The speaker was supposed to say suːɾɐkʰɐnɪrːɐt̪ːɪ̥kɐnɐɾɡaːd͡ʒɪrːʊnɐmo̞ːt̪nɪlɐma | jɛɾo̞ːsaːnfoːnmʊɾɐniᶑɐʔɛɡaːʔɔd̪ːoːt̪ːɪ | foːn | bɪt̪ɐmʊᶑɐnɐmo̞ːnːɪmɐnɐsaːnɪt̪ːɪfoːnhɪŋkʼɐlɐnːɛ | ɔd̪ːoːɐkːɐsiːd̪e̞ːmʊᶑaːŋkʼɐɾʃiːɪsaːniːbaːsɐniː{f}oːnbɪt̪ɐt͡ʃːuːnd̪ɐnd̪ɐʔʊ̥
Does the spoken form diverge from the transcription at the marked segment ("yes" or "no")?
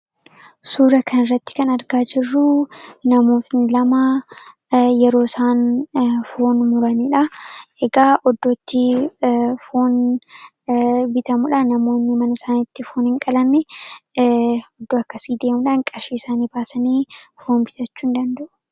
no